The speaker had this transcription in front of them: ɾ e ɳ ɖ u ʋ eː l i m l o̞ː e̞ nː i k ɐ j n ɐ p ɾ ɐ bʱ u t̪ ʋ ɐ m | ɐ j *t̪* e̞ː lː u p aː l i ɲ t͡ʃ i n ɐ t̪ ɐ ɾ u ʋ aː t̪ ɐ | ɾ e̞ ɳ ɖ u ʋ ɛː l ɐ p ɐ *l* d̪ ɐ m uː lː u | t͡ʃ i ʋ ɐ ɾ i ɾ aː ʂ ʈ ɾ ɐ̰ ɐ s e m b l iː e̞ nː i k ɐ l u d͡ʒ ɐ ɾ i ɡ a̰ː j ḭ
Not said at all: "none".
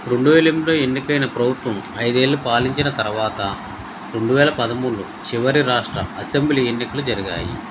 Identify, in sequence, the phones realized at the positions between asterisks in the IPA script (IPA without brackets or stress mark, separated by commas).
d̪, none